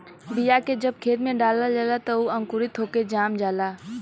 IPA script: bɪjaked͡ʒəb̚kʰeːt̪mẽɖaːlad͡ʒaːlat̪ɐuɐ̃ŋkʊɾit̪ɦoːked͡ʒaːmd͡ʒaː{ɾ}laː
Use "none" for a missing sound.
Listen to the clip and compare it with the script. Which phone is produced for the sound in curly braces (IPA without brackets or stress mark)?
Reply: none